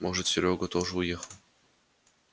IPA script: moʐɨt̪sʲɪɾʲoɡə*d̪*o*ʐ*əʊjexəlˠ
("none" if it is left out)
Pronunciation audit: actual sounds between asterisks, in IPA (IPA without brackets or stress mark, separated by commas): t̪, ʐ